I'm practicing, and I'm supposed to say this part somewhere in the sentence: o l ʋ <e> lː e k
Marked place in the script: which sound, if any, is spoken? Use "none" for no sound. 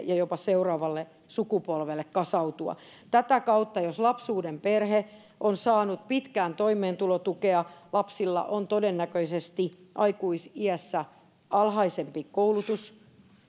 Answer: e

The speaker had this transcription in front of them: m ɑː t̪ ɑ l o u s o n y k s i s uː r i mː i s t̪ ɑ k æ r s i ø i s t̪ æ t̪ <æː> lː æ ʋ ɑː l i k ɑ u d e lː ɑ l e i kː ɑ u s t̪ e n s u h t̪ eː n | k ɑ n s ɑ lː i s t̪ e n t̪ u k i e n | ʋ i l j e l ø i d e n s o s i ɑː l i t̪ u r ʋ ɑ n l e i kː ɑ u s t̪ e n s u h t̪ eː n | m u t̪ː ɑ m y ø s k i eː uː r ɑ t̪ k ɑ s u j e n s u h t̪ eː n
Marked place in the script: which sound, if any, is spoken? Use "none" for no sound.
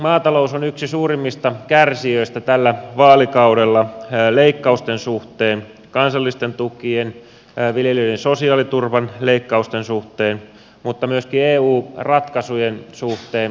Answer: æ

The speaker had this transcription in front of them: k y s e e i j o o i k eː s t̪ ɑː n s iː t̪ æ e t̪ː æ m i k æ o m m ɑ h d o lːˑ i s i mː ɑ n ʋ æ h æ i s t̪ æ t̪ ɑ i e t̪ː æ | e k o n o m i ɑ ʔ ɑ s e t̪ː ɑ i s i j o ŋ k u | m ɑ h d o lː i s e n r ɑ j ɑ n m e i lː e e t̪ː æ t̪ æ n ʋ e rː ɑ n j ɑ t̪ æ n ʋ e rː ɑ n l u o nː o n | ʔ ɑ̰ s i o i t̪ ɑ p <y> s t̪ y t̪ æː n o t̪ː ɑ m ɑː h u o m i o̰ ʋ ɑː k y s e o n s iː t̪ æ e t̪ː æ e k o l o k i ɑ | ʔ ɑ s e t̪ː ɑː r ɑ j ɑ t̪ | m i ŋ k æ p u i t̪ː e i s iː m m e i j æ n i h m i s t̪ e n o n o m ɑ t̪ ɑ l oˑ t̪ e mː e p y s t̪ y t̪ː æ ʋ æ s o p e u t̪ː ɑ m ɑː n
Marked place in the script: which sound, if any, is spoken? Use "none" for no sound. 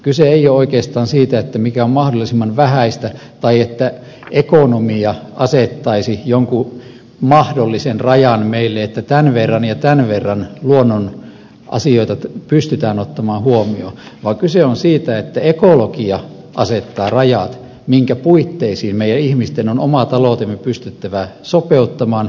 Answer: y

